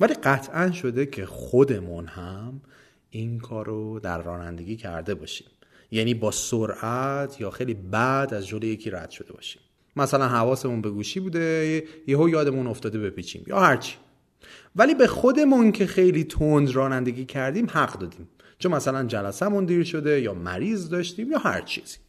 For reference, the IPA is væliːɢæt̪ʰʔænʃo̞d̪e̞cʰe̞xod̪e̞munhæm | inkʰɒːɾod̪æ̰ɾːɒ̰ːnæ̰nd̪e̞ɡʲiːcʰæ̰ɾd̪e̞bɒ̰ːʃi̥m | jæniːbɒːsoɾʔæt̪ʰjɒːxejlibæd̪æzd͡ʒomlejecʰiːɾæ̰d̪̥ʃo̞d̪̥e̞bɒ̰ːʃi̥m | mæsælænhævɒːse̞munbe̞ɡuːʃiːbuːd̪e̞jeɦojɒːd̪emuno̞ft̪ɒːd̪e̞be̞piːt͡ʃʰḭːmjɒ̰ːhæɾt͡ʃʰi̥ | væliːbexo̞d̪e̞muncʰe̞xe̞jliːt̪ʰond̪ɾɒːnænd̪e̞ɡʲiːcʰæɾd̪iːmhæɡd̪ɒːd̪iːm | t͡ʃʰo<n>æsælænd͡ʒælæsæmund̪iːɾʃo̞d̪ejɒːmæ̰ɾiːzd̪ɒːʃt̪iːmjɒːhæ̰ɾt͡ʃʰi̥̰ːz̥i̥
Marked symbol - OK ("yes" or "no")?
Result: no